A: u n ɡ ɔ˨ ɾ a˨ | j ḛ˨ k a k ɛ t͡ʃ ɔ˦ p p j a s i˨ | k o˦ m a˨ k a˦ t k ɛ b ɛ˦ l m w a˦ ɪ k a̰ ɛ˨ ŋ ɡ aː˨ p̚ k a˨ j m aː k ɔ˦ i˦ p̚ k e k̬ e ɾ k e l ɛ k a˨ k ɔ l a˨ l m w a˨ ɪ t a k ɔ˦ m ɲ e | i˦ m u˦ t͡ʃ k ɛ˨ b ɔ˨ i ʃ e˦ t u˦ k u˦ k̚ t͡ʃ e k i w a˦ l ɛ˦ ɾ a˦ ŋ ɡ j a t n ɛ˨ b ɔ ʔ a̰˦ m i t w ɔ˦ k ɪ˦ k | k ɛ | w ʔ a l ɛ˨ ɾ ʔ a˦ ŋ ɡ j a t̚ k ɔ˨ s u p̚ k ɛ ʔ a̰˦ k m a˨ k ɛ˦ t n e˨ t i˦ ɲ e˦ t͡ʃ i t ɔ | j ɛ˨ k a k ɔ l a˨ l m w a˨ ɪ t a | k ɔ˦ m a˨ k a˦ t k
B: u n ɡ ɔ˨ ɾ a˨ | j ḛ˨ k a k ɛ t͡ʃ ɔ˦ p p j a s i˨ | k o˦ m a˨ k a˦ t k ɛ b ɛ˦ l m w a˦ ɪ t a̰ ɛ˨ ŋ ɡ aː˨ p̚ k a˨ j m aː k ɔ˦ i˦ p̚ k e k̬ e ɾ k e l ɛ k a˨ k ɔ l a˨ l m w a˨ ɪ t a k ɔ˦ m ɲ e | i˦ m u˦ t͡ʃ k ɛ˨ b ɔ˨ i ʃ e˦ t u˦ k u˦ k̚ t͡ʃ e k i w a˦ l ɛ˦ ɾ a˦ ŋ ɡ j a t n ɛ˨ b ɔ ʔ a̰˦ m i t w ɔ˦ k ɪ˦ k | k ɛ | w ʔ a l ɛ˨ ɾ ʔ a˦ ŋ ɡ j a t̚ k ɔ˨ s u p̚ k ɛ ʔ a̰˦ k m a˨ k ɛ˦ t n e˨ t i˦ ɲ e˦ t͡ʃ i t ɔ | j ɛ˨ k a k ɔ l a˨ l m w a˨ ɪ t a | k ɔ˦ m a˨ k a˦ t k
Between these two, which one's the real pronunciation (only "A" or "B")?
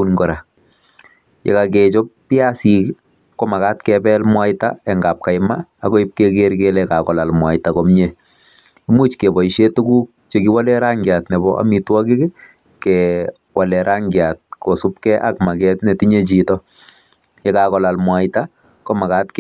B